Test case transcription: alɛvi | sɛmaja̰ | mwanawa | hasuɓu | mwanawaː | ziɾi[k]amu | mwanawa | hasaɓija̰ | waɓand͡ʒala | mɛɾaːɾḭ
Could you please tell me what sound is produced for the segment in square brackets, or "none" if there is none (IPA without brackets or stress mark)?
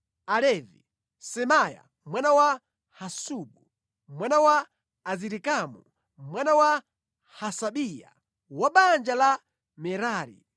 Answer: k